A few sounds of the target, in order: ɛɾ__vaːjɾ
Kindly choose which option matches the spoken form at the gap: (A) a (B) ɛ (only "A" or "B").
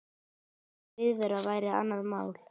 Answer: A